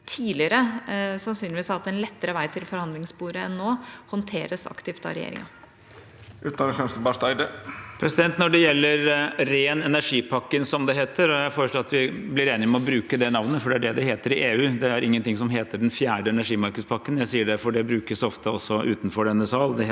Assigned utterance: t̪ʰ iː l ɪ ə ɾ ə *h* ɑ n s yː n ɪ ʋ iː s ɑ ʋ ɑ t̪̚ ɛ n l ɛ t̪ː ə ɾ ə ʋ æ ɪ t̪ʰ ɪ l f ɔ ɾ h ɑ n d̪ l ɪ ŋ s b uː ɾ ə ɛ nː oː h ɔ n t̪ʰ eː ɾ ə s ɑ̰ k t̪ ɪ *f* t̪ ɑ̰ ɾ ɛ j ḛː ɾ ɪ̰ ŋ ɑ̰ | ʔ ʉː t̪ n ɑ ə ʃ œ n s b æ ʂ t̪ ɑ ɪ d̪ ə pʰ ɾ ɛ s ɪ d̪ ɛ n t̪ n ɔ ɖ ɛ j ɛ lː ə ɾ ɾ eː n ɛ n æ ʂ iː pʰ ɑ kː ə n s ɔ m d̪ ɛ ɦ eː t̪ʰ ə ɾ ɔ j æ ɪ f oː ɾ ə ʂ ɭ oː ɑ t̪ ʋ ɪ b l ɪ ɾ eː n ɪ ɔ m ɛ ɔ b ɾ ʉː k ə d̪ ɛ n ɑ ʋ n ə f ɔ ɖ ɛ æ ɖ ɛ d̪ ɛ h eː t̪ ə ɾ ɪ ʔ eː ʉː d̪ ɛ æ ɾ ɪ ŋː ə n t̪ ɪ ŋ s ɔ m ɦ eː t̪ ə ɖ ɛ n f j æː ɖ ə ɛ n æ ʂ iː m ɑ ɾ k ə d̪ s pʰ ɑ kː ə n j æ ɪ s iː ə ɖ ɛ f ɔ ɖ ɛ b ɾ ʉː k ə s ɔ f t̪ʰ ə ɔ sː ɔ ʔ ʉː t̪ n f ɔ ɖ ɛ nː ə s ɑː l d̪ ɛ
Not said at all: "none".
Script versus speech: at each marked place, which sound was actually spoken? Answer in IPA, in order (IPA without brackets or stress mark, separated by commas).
s, f